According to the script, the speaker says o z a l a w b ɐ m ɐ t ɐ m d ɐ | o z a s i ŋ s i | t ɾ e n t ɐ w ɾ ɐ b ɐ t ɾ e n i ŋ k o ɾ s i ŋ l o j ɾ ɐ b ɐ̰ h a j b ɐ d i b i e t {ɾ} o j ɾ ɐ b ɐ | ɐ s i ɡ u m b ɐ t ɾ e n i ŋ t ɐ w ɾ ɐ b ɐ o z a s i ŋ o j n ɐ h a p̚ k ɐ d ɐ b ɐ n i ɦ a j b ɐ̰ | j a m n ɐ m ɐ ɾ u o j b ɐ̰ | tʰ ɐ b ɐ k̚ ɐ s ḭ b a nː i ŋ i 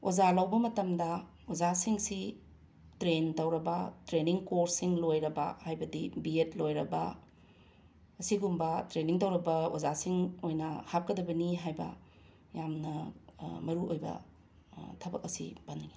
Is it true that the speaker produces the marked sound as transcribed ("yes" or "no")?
no